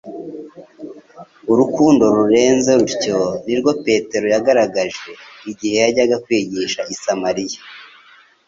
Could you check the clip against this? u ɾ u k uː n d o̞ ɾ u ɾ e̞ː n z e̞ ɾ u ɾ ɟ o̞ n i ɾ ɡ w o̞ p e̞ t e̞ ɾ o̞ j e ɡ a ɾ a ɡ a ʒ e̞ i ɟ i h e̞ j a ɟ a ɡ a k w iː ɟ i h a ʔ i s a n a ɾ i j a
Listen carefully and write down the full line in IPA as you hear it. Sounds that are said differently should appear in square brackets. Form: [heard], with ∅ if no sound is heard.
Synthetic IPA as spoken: u ɾ u k uː n d o̞ ɾ u ɾ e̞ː n z e̞ ɾ u ɾ [c] o̞ n i ɾ ɡ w o̞ p e̞ t e̞ ɾ o̞ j [a] ɡ a ɾ a ɡ a ʒ e̞ i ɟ i h e̞ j a ɟ a ɡ a k w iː ɟ i [ʃ] a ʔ i s a [m] a ɾ i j a